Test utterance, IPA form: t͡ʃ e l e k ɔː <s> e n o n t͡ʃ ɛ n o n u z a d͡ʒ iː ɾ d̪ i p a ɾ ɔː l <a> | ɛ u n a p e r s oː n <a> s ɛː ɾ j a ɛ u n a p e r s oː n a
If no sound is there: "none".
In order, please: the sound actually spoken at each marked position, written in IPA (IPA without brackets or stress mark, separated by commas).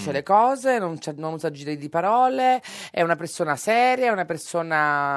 z, e, a